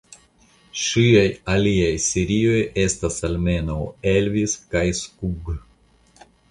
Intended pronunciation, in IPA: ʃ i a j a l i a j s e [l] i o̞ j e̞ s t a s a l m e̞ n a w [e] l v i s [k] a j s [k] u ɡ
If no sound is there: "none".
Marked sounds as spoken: ɾ, e, k, k

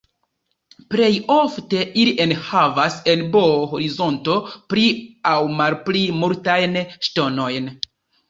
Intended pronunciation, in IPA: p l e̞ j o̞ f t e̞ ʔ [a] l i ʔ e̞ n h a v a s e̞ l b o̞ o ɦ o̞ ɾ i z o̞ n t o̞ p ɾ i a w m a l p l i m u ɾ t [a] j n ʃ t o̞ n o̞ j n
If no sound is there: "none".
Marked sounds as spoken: i, a

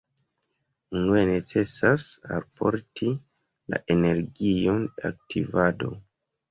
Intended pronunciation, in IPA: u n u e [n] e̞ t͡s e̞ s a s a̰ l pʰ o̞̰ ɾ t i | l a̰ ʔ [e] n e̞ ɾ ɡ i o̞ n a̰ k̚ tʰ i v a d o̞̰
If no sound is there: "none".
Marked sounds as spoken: n, e

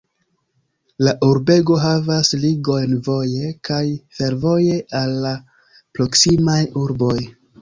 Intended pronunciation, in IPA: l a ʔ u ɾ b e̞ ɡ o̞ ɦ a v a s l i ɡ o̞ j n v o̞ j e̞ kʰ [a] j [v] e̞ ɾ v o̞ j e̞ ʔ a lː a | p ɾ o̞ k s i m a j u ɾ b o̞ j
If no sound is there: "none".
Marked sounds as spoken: a, f

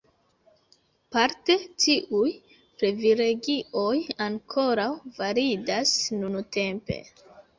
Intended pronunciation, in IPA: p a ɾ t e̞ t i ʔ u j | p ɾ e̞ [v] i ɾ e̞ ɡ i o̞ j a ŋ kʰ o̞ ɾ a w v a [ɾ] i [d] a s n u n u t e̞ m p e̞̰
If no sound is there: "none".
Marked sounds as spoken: v, ɾ, d

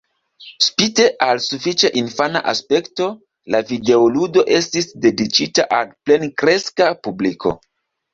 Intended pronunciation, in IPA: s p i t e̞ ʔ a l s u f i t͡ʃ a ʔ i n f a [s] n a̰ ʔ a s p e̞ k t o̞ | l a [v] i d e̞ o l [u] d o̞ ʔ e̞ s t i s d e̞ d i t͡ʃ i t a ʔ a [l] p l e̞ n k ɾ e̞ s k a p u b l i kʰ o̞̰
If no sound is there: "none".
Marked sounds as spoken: none, v, u, l

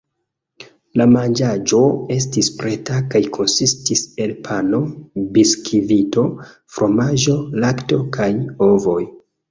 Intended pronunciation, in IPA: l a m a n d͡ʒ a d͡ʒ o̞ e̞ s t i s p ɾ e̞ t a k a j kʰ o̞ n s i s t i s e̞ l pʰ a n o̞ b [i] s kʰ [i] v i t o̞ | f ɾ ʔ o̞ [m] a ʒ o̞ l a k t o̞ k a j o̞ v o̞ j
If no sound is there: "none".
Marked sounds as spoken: i, i, m

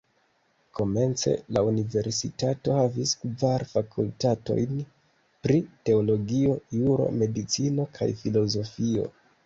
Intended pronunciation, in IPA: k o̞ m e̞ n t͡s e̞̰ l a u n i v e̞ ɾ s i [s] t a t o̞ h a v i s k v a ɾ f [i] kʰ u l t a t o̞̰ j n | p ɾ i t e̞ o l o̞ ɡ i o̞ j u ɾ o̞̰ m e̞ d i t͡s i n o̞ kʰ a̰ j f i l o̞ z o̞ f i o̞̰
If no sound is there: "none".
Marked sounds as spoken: none, a

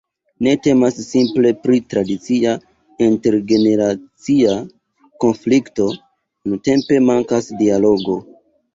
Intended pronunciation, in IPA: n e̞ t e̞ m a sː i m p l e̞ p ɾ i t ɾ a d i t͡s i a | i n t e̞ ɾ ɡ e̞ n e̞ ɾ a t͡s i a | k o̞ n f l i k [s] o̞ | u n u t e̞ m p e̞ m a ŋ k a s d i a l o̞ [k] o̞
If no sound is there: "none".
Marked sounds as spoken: t, ɡ

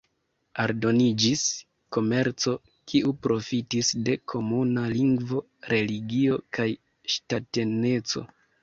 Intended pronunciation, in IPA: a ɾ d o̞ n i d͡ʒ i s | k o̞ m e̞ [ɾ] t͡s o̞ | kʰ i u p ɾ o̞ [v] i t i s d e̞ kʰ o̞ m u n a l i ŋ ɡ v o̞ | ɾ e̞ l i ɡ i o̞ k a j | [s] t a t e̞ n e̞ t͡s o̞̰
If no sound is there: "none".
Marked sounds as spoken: ɾ, f, ʃ

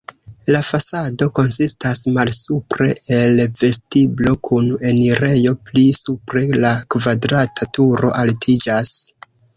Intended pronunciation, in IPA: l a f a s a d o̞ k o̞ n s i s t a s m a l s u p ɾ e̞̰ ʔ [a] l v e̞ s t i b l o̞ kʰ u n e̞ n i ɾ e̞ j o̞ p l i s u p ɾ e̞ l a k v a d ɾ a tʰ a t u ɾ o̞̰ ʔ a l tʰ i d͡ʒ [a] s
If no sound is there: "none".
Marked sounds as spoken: e, a

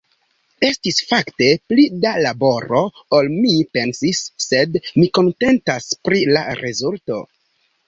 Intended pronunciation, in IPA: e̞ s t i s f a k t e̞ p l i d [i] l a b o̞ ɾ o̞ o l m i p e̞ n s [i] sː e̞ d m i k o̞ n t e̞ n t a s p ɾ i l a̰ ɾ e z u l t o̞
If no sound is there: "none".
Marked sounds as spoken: a, i

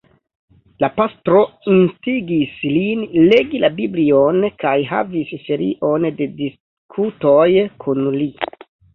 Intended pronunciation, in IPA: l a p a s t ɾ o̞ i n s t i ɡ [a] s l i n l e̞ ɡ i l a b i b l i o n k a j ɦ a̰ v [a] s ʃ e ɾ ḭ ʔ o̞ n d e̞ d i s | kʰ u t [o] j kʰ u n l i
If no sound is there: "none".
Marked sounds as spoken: i, i, o

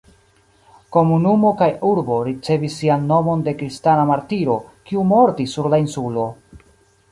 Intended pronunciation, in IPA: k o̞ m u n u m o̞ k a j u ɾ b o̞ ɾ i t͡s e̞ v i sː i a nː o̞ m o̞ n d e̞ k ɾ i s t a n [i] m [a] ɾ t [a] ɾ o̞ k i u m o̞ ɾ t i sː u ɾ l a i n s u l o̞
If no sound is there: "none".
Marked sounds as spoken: a, a, i

